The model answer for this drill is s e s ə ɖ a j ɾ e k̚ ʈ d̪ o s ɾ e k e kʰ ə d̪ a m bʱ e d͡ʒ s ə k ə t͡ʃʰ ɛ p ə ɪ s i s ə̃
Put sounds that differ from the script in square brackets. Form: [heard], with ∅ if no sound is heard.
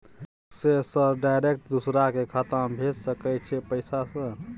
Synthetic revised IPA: s e s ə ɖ a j ɾ e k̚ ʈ d̪ [u] s ɾ [a] k e kʰ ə [t̪] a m bʱ e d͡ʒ s ə k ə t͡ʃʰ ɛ p ə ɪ s [a] s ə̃